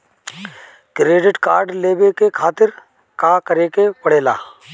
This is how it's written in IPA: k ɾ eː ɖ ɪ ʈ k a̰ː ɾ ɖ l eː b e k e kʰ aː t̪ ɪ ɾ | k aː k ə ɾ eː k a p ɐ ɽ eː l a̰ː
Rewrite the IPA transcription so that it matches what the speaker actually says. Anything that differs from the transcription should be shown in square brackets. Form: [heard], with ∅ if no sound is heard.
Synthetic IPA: k ɾ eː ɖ ɪ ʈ k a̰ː ɾ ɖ l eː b e k e kʰ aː t̪ ɪ ɾ | k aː k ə ɾ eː k [e] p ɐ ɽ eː l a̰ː